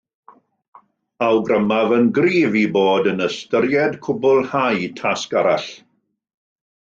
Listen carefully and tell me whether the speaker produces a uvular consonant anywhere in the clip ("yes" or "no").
no